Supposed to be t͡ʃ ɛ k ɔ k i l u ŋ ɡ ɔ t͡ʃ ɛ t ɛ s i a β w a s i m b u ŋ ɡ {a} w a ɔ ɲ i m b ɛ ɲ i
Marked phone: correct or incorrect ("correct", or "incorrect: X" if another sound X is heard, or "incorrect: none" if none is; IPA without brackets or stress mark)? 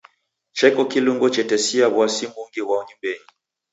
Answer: incorrect: i